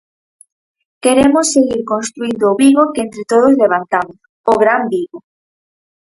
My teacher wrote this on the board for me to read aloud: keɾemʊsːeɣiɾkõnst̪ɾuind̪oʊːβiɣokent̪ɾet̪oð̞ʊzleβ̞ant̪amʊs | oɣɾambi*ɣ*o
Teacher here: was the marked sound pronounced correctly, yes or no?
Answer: yes